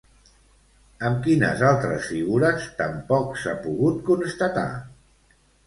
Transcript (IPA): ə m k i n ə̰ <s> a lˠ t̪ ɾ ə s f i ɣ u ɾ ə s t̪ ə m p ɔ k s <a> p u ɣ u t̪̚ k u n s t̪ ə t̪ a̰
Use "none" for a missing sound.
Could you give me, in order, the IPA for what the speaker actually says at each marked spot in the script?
z, a

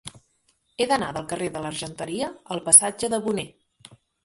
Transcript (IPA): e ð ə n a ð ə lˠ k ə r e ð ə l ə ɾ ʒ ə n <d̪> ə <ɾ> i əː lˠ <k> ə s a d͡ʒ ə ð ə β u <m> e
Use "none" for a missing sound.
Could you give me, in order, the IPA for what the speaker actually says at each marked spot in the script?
t̪, ɾ, p, n

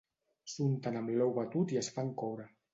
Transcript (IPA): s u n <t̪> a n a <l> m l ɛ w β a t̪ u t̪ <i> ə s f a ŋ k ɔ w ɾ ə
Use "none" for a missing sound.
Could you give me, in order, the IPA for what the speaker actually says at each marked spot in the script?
t̪, none, i

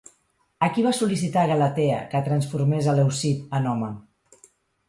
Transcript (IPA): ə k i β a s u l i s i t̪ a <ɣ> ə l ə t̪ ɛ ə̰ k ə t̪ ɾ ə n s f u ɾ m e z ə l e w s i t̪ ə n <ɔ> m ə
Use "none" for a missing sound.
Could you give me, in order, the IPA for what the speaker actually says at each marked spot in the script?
ɣ, ɔ

